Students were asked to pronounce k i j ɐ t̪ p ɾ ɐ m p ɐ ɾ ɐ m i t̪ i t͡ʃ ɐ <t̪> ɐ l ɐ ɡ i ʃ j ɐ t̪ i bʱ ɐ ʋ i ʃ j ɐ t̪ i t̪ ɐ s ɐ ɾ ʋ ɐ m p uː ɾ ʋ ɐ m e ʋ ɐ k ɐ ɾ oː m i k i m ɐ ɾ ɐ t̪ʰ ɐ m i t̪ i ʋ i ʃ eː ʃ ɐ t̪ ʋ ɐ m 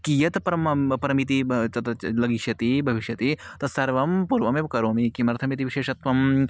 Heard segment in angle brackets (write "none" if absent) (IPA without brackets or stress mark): t̪